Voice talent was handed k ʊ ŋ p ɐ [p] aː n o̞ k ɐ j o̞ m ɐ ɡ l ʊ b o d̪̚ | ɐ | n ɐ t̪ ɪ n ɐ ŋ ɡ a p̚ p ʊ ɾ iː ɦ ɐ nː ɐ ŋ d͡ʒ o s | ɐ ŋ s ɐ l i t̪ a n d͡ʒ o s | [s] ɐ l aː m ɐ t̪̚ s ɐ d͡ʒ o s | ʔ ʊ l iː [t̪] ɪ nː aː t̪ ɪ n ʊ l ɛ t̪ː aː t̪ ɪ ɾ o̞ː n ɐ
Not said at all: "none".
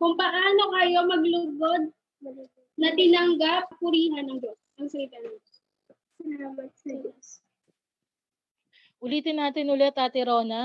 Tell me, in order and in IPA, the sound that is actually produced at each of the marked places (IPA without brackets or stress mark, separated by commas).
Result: ʔ, s, t̪